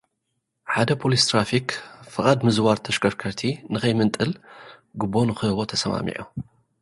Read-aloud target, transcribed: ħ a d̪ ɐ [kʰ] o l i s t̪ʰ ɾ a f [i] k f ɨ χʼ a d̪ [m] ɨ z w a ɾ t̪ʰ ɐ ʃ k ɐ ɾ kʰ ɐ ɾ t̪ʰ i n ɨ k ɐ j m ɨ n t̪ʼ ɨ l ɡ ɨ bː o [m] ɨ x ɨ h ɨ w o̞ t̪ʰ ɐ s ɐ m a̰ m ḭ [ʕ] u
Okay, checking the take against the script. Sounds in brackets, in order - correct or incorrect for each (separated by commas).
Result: incorrect, correct, correct, incorrect, correct